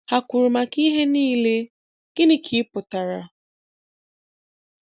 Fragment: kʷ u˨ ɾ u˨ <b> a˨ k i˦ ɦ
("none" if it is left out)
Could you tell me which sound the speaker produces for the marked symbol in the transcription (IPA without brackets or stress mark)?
m